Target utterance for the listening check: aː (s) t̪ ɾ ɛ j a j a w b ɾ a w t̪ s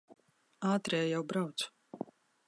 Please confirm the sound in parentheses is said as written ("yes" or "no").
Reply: no